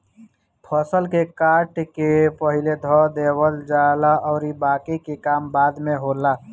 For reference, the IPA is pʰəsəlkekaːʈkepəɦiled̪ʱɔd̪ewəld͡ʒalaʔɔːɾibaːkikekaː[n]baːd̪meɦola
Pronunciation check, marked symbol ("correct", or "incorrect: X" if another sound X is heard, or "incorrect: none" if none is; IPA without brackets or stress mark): incorrect: m